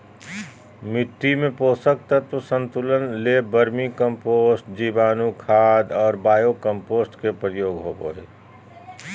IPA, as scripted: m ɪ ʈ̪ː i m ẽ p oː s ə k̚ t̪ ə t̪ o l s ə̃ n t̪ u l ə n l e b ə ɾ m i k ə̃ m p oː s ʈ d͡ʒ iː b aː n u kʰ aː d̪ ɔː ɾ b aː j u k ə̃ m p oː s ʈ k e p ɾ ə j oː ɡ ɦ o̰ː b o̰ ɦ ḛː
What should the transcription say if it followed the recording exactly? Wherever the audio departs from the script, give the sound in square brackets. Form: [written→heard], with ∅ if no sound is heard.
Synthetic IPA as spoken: m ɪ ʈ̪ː i m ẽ p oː s ə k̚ t̪ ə t̪ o [l→∅] s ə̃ n t̪ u l ə n l e b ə ɾ m i k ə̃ m p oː s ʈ d͡ʒ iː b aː n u kʰ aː d̪ ɔː ɾ b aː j [u→o] k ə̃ m p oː s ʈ k e p ɾ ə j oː ɡ ɦ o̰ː b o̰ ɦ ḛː